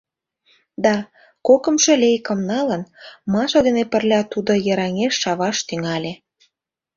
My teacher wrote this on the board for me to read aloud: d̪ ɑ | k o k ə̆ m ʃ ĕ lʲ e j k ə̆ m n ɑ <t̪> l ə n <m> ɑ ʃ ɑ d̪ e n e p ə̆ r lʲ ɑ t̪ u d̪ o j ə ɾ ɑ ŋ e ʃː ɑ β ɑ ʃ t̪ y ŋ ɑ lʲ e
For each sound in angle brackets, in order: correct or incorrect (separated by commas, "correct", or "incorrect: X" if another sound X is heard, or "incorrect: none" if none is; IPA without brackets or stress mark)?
incorrect: none, correct